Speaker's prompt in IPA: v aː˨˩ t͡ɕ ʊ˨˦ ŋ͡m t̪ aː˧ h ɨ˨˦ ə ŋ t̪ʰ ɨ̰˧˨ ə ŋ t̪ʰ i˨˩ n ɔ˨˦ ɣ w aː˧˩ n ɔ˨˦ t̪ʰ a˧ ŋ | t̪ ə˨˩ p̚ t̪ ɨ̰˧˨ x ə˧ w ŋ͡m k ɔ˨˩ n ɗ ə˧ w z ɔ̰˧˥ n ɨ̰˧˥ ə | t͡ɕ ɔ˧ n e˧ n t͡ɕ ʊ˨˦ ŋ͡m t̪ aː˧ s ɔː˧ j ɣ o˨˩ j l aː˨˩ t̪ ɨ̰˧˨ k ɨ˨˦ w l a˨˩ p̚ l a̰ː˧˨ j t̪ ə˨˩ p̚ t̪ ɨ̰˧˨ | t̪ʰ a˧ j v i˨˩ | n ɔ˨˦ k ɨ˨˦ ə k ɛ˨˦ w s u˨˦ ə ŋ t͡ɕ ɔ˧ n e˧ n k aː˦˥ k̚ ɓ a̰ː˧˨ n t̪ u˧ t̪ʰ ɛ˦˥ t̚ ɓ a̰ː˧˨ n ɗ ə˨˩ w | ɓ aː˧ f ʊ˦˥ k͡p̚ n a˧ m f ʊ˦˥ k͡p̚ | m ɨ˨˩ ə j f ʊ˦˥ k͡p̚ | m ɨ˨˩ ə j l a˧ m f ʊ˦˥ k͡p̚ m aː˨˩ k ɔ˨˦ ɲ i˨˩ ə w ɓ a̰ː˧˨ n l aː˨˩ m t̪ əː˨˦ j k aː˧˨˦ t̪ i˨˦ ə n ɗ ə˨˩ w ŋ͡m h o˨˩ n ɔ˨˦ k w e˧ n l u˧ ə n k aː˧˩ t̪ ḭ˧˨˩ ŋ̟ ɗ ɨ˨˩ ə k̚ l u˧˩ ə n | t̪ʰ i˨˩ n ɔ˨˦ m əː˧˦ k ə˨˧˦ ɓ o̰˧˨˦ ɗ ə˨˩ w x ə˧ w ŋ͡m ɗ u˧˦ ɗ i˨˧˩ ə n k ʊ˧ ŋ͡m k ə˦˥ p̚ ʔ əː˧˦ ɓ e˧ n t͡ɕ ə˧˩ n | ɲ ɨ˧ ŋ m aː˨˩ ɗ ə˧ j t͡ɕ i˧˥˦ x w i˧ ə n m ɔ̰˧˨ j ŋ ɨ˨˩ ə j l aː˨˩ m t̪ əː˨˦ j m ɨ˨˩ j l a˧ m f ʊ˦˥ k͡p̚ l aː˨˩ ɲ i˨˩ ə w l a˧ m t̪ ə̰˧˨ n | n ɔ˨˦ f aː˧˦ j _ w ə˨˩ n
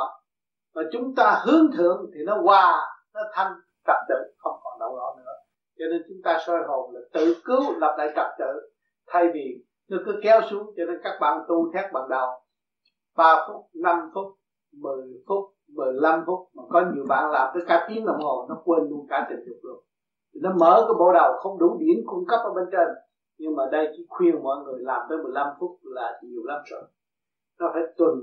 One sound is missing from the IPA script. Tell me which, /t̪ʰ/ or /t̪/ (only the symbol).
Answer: t̪